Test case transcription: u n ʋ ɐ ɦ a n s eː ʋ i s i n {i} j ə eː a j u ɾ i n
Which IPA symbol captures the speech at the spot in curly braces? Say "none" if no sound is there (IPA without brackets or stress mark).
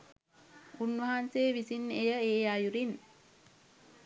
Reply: e